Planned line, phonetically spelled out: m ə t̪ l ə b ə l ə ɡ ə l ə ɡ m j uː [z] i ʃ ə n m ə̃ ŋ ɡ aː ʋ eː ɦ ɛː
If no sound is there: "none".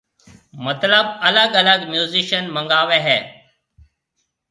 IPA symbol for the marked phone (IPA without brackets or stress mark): z